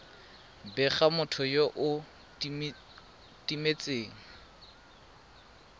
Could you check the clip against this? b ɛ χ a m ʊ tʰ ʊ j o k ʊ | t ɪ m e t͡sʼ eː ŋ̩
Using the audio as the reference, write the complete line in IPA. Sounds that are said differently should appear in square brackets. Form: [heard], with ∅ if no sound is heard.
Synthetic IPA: b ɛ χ a m ʊ tʰ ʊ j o [ʔ] ʊ | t [i] m e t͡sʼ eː ŋ̩